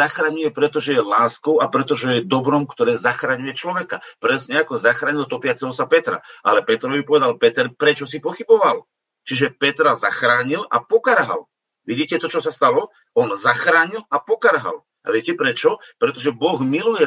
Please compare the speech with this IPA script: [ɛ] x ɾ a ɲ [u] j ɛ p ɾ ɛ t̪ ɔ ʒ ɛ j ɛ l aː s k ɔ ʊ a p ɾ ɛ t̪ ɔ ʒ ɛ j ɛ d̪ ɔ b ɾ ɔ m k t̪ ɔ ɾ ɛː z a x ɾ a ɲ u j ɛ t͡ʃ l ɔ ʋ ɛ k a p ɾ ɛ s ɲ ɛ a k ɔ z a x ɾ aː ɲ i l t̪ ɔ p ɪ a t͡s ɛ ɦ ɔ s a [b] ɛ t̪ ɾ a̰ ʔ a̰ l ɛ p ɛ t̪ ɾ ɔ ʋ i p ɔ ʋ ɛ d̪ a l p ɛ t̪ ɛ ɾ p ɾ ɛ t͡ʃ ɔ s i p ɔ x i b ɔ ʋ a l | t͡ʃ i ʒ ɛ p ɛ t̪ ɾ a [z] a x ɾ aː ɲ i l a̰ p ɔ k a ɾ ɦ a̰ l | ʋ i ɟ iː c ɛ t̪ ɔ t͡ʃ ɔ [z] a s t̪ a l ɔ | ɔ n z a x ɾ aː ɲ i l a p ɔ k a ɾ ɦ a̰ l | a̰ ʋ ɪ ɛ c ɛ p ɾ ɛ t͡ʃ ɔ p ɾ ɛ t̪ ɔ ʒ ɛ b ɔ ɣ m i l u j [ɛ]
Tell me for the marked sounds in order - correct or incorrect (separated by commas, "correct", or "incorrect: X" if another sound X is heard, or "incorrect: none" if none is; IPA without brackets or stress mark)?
incorrect: a, correct, incorrect: p, correct, incorrect: s, correct